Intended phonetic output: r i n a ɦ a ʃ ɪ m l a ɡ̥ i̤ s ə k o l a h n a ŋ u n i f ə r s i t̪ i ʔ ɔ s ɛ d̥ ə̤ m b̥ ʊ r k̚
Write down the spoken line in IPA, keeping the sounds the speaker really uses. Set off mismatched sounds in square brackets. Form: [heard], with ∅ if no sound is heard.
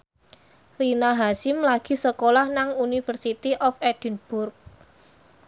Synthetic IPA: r i n a ɦ a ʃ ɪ m l a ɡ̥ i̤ s ə k o l a h n a ŋ u n i f ə r s i t̪ i ʔ ɔ [f] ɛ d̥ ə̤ [n] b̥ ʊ r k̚

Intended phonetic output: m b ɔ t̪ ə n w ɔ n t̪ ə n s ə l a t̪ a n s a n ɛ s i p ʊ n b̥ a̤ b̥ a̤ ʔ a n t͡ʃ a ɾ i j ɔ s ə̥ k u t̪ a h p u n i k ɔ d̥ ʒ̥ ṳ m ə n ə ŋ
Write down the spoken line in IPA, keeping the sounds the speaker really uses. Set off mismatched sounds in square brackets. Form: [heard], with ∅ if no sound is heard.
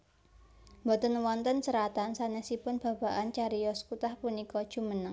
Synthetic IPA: m b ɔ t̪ ə n w ɔ n t̪ ə n s ə [ɾ] a t̪ a n s a n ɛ s i p ʊ n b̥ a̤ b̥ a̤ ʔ a n t͡ʃ a ɾ i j ɔ s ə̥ k u t̪ a h p u n i k ɔ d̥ ʒ̥ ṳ m ə n ə ŋ

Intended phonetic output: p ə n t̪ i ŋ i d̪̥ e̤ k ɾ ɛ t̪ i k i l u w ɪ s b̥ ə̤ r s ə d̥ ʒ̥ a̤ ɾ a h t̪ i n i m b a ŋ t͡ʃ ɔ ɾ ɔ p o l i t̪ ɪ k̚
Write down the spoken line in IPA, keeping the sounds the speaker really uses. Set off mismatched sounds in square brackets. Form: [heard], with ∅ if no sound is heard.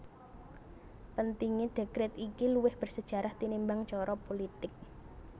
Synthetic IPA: p ə n t̪ i ŋ i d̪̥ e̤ k ɾ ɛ t̪ i k i l u w ɪ [h] b̥ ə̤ r s ə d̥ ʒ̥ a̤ ɾ a h t̪ i n i m b a ŋ t͡ʃ ɔ ɾ ɔ p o l i t̪ ɪ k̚

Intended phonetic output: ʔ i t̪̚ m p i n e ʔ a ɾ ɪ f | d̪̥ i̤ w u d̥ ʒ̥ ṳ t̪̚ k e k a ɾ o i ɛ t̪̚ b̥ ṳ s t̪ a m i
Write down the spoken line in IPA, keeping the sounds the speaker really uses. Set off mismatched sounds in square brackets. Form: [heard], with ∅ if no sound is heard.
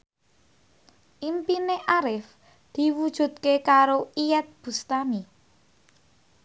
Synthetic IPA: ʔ i [∅] m p i n e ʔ a ɾ ɪ f | d̪̥ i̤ w u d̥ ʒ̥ ṳ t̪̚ k e k a ɾ o i ɛ t̪̚ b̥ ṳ s t̪ a m i

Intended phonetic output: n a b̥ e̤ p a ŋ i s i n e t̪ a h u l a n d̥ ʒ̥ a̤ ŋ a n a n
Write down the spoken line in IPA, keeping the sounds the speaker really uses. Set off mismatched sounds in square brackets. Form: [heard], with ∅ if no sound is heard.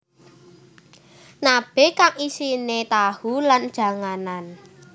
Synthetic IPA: n a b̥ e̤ [k] a ŋ i s i n e t̪ a h u l a n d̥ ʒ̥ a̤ ŋ a n a n

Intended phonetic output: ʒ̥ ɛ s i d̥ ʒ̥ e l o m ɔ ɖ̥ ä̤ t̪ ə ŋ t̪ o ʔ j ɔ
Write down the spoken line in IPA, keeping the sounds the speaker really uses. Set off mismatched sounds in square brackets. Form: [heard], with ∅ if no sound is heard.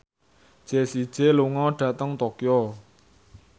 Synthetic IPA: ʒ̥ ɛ s i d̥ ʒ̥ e l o [ŋ] ɔ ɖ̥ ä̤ t̪ ə ŋ t̪ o [k] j ɔ

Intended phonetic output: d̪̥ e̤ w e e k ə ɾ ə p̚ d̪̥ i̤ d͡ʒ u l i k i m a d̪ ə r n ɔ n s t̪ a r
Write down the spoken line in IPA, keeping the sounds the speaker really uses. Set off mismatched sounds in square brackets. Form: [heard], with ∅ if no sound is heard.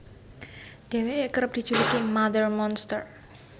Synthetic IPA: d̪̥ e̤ w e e k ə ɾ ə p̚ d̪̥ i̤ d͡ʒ u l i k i m a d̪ ə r [m] ɔ n s t̪ [ə] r

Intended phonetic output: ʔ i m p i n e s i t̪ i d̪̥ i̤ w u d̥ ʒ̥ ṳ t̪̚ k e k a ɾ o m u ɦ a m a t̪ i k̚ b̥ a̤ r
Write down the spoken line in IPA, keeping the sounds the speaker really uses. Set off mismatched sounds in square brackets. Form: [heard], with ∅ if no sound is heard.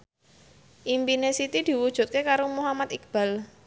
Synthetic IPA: ʔ i m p i n e s i t̪ i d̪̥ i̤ w u d̥ ʒ̥ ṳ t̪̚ k e k a ɾ o m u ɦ a m a t̪ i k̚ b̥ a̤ [l]

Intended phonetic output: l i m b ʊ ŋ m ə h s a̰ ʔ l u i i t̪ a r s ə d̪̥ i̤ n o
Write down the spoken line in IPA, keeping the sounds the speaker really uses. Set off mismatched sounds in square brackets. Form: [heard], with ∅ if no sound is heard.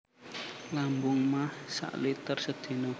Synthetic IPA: l [a] m b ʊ ŋ m [a] h s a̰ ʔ l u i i t̪ [ə] r s ə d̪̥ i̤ n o

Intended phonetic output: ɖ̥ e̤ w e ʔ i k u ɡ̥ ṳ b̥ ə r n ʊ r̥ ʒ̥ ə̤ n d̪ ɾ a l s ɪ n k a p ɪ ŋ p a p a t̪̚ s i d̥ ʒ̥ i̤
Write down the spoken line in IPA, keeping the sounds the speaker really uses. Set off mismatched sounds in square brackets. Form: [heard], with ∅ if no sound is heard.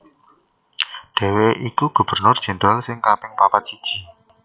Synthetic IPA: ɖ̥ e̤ w e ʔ i k u ɡ̥ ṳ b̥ ə r n ʊ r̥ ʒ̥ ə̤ n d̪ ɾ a l s ɪ [ŋ] k a p ɪ ŋ p a p a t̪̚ s i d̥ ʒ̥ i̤

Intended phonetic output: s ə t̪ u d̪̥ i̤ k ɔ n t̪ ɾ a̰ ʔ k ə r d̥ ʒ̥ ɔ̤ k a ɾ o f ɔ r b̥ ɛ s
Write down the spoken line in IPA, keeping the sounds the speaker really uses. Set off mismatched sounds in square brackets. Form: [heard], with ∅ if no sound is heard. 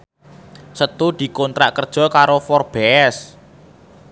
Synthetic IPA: s ə t̪ u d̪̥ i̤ k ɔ n t̪ ɾ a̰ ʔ k ə r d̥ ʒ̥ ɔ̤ k a ɾ o f ɔ r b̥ ɛ s

